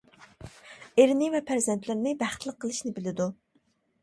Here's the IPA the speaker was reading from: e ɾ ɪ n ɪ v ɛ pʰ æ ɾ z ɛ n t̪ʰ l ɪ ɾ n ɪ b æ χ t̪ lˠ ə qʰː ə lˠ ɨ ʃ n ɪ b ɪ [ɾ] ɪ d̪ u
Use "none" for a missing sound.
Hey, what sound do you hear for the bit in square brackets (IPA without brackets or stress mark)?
l